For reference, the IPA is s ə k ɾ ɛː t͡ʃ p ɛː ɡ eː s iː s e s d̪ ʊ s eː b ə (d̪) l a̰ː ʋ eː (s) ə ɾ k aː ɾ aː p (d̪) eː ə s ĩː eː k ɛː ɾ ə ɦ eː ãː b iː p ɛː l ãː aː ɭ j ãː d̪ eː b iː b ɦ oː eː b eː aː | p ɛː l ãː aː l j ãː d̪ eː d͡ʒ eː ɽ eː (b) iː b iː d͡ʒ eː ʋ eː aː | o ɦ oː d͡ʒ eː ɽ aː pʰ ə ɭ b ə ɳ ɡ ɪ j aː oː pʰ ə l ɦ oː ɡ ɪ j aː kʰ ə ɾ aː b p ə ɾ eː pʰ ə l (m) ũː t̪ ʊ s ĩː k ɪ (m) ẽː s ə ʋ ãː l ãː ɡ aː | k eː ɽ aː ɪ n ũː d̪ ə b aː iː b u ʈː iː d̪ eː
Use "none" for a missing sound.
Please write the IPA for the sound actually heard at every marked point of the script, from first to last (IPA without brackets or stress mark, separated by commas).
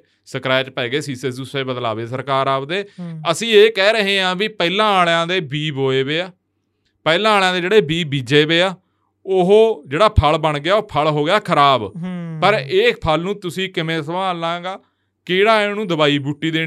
d̪, s, d̪, b, n, m